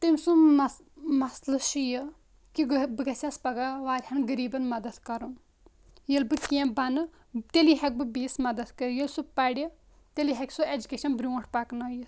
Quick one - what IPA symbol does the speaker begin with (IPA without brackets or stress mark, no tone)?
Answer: t̪